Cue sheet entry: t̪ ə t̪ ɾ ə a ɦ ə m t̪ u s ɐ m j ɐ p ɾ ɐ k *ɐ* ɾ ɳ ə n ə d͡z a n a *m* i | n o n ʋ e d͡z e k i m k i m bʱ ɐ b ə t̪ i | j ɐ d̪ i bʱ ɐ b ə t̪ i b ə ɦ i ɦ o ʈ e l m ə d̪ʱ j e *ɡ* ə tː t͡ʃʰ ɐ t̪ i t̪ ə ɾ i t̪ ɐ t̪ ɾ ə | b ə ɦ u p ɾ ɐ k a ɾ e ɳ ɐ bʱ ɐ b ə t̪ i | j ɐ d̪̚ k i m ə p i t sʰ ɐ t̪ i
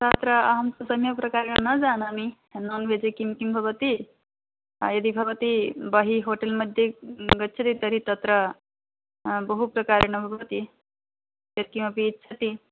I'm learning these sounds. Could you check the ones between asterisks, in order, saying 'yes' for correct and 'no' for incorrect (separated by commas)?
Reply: no, yes, yes